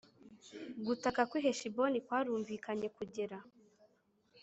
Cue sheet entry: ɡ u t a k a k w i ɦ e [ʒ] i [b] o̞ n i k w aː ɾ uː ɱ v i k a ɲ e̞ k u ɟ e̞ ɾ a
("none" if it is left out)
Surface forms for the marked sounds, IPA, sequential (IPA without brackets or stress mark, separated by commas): ʃ, b